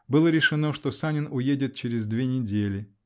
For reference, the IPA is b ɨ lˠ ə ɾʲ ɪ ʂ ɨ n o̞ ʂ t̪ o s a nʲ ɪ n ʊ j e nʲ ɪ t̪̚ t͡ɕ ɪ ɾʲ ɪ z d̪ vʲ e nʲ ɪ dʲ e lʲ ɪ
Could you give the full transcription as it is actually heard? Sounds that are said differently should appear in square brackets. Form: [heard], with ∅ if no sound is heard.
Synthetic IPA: b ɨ lˠ ə ɾʲ ɪ ʂ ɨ n o̞ ʂ t̪ o s a nʲ ɪ n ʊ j e [dʲ] ɪ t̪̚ t͡ɕ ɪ ɾʲ ɪ z d̪ vʲ e nʲ ɪ dʲ e lʲ ɪ